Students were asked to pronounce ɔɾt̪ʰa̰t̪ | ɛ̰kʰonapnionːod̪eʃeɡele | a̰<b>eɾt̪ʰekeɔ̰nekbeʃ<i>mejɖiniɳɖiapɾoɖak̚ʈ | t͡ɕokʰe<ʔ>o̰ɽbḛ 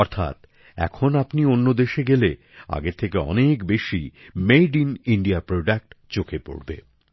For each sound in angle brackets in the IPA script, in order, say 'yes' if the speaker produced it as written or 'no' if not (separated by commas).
no, yes, no